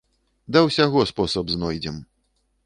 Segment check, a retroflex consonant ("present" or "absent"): absent